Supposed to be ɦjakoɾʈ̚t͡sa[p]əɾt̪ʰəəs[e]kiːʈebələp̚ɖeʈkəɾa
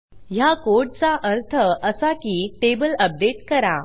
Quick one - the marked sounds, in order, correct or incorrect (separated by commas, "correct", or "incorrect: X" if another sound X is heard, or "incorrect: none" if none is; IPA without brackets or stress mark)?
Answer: incorrect: ʔ, incorrect: a